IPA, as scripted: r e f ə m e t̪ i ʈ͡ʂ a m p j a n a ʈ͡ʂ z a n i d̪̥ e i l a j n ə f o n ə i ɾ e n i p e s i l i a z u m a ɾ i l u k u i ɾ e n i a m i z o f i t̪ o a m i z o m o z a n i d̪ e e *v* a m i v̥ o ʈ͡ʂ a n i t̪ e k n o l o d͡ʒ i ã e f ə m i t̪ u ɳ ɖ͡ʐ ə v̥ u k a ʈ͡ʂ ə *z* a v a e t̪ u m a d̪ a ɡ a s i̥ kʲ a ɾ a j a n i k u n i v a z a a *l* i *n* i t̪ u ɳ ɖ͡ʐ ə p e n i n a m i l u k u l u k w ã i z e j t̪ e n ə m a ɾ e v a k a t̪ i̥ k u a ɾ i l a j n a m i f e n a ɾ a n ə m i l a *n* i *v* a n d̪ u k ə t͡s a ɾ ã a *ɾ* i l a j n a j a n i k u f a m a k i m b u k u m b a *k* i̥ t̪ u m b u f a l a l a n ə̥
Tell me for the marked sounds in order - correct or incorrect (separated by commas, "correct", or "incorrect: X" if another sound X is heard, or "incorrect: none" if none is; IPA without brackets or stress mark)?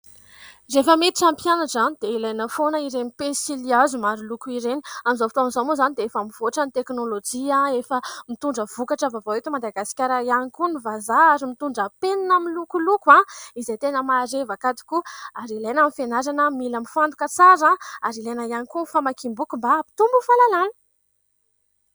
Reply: incorrect: f, incorrect: v, incorrect: ɾ, incorrect: m, incorrect: m, incorrect: f, correct, incorrect: p